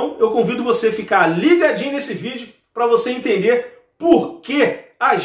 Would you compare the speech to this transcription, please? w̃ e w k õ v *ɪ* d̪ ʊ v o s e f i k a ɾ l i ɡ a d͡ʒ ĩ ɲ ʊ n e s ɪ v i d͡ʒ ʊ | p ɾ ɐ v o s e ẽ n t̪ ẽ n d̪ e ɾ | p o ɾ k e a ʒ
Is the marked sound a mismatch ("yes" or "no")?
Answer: yes